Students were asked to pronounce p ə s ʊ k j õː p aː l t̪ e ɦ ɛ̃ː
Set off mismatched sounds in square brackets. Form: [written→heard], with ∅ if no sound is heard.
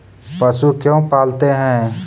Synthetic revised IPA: p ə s [ʊ→u] k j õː p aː l t̪ e ɦ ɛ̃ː